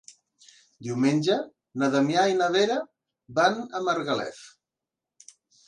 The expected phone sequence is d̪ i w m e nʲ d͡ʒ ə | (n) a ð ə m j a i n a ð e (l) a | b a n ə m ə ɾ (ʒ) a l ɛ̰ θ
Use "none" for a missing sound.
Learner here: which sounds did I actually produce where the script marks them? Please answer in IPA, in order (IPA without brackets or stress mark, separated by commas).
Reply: n, ɾ, ɣ